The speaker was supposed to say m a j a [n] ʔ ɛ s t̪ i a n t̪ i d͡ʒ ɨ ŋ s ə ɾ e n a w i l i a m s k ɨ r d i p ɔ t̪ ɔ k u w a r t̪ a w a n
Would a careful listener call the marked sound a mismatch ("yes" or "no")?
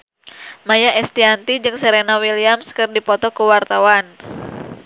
yes